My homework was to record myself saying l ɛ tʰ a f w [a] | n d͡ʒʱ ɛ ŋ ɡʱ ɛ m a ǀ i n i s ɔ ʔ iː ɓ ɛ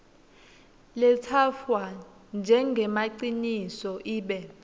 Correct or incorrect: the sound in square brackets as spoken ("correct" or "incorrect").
correct